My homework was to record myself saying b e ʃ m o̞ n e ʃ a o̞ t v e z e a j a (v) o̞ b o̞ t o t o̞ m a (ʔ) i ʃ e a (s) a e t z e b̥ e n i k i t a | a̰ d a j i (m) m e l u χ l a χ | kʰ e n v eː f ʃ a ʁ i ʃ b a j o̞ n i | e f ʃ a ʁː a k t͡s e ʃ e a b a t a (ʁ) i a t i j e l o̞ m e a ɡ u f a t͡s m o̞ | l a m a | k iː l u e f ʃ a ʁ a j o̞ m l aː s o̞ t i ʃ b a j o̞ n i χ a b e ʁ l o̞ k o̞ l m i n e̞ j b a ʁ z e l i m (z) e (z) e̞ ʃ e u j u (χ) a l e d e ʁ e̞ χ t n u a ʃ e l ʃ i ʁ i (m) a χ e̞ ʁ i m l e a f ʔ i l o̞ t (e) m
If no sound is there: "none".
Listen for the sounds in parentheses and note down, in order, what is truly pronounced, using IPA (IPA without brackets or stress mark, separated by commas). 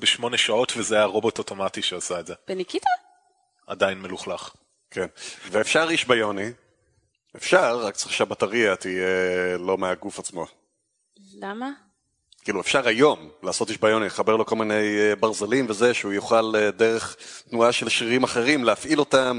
ʁ, t, s, n, ʁ, v, z, χ, m, a